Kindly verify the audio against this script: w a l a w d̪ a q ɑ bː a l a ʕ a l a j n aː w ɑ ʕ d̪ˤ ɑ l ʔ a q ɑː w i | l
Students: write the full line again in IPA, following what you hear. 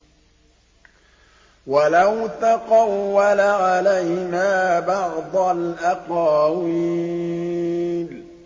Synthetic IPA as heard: w a l a w t̪ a q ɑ wː a l a ʕ a l a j n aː b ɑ ʕ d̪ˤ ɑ l ʔ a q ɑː w i | l